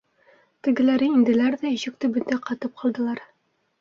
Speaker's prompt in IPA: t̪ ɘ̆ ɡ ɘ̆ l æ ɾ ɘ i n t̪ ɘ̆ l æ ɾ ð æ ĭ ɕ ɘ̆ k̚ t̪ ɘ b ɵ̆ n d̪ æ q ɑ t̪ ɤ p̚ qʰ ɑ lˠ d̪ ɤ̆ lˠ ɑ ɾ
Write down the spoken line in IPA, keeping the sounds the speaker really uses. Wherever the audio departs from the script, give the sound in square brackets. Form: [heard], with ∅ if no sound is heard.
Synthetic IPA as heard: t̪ ɘ̆ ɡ ɘ̆ l æ ɾ ɘ i n [d̪] ɘ̆ l æ ɾ ð æ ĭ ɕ ɘ̆ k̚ t̪ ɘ b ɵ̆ n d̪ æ q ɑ t̪ ɤ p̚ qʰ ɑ lˠ d̪ ɤ̆ lˠ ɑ ɾ